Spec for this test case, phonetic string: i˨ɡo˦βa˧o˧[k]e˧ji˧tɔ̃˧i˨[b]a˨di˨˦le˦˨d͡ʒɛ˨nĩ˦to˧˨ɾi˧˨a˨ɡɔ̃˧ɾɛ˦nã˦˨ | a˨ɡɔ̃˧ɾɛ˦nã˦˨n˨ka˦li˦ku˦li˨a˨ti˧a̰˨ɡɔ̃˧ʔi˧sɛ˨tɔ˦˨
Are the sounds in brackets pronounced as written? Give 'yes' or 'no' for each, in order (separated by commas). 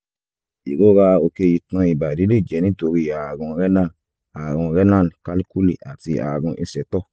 yes, yes